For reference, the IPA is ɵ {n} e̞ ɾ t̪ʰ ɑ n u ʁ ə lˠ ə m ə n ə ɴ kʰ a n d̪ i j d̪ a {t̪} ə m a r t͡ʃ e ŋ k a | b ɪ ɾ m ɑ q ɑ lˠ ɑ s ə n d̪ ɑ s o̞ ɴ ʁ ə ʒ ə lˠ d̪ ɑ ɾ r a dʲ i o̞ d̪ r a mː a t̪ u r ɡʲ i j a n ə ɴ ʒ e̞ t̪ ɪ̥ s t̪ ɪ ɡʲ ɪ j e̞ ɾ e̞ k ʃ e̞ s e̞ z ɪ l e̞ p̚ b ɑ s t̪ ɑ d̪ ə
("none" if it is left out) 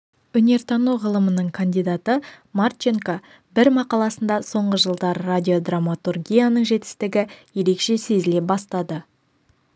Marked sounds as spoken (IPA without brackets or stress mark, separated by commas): n, t̪